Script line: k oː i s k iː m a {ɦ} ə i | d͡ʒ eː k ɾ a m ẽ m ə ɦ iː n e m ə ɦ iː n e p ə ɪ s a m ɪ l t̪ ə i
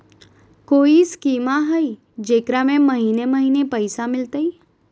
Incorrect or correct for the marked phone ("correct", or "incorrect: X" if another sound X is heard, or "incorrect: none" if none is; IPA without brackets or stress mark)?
correct